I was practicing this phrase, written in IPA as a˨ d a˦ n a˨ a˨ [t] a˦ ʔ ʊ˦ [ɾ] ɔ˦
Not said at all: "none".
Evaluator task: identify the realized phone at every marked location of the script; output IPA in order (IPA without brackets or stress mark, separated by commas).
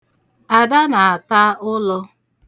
t, l